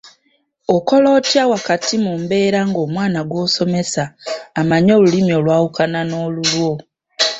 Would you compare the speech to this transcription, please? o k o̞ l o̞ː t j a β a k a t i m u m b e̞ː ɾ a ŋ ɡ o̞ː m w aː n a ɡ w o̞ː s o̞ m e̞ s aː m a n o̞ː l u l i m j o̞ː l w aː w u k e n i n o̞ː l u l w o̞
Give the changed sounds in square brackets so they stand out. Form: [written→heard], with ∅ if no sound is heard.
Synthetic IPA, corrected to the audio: o k o̞ l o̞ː t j a [β→w] a k a t i m u m b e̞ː ɾ a ŋ ɡ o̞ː m w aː n a ɡ w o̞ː s o̞ m e̞ s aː m a [n→ɲ] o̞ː l u l i m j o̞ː l w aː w u k [e→a] n [i→a] n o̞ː l u l w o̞

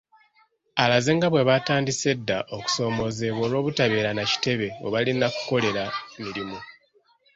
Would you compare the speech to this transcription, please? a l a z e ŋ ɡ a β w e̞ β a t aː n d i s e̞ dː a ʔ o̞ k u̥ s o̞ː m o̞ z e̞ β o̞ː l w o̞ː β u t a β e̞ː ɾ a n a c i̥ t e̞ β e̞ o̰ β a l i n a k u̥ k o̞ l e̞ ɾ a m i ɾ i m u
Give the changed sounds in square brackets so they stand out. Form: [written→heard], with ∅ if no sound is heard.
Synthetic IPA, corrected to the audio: a l a z e ŋ ɡ a β w e̞ β a t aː n d i s e̞ dː a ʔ o̞ k u̥ s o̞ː m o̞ z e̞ β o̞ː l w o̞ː β u t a β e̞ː ɾ a n a c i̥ t e̞ β e̞ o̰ β a l i n a k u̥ k o̞ l e̞ ɾ a m i ɾ i m u

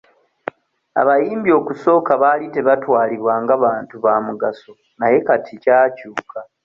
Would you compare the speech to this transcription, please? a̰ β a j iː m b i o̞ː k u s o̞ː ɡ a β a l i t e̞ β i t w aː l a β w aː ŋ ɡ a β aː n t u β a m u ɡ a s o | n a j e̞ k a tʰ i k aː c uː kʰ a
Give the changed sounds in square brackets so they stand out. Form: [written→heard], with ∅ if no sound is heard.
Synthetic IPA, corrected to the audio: a̰ β a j iː m b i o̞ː k u s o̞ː [ɡ→k] a β a l i t e̞ β [i→a] t w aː l [a→i] β w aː ŋ ɡ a β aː n t u β a m u ɡ a s o | n a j e̞ k a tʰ i [k→c] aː c uː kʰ a

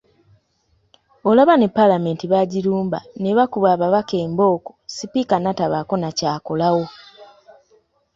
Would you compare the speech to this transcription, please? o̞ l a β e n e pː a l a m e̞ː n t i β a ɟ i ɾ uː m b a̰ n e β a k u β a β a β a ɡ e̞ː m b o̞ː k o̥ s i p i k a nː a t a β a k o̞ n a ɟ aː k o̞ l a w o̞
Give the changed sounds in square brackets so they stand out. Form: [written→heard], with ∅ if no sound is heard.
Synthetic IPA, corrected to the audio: o̞ l a β [e→a] n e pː a l a m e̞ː n t i β a ɟ i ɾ uː m b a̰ n e β a k u β a β a β a [ɡ→k] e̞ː m b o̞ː k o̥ s i p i k a [nː→n] a t a β a k o̞ n a [ɟ→c] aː k o̞ l a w o̞

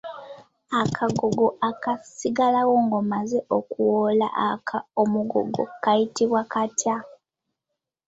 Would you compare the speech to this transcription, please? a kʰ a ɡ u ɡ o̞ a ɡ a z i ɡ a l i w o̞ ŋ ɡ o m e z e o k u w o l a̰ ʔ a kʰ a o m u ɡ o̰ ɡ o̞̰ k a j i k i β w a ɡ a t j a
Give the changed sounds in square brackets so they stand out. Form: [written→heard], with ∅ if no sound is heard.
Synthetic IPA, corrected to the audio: a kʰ a ɡ [u→o] ɡ o̞ a [ɡ→k] a [z→s] i ɡ a l [i→a] w o̞ ŋ ɡ o m [e→a] z e o k u w o l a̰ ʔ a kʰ a o m u ɡ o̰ ɡ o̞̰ k a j i [k→t] i β w a [ɡ→k] a t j a

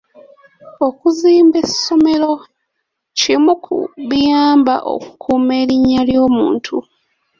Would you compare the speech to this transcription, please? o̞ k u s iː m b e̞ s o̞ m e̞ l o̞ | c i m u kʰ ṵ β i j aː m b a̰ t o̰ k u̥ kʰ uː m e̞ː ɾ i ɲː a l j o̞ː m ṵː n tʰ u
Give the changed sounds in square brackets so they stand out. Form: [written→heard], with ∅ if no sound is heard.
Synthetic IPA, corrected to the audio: o̞ k u [s→z] iː m b e̞ s o̞ m e̞ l o̞ | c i m u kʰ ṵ β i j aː m b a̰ [t→ʔ] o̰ k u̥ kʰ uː m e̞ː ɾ i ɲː a l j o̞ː m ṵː n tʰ u

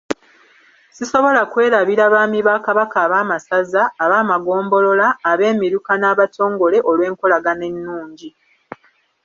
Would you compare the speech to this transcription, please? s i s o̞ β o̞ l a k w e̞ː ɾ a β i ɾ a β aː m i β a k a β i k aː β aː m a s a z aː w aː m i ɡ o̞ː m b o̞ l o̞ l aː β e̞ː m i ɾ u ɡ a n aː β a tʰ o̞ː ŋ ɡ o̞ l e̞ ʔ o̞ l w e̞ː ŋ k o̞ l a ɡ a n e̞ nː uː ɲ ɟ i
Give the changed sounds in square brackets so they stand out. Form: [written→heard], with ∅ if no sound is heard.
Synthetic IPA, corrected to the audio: s i s o̞ β o̞ l a k w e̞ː ɾ a β i ɾ a β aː m i β a k a β [i→a] k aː β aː m a s a z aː [w→β] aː m [i→a] ɡ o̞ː m b o̞ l o̞ l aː β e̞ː m i ɾ u [ɡ→k] a n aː β a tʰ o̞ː ŋ ɡ o̞ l e̞ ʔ o̞ l w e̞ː ŋ k o̞ l a ɡ a n e̞ nː uː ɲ ɟ i

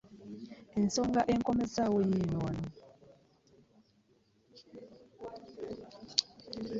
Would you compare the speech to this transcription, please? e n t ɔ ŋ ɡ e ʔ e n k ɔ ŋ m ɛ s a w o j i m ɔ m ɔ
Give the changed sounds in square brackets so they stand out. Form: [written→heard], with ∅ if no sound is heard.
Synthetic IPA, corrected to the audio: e n [t→s] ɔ ŋ ɡ [e→a] ʔ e [n→ŋ] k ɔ [ŋ→∅] m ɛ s a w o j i [m→n] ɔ [m→n] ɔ

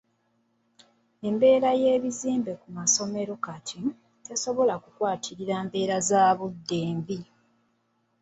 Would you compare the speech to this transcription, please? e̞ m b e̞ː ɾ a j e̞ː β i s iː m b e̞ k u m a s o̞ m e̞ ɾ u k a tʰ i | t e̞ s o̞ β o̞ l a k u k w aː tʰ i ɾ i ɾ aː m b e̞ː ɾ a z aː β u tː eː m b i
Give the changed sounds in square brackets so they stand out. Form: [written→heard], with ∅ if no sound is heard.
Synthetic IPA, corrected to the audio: e̞ m b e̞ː ɾ a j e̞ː β i [s→z] iː m b e̞ k u m a s o̞ m e̞ ɾ [u→o] k a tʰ i | t e̞ s o̞ β o̞ l a k u k w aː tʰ i ɾ i ɾ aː m b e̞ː ɾ a z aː β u [tː→dː] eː m b i

